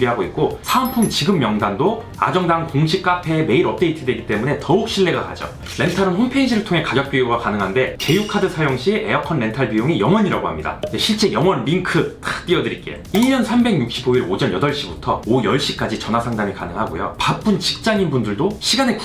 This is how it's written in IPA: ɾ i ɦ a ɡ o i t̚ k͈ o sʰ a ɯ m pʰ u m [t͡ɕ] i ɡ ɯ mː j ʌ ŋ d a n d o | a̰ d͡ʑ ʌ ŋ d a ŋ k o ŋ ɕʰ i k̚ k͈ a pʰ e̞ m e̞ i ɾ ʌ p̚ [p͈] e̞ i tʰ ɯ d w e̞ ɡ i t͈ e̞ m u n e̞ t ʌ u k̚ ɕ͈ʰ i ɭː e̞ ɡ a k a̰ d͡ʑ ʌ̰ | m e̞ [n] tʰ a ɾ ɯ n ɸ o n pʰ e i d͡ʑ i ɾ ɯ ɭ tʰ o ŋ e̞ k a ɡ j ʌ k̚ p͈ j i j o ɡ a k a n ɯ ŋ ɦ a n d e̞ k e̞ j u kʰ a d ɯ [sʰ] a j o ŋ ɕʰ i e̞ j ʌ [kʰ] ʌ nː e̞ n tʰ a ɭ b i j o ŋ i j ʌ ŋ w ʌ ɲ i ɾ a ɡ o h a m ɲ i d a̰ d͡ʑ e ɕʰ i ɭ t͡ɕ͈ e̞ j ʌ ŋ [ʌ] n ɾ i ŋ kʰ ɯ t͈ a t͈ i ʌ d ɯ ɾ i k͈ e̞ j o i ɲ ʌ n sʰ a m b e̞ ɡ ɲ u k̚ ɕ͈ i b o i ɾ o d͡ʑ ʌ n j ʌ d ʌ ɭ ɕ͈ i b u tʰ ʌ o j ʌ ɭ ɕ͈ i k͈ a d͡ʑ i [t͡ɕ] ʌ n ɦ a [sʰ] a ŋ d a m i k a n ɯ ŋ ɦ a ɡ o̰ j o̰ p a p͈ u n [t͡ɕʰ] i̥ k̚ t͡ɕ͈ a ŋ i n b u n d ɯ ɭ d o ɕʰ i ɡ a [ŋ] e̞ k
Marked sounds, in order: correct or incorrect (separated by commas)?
correct, incorrect, correct, correct, correct, correct, correct, correct, incorrect, incorrect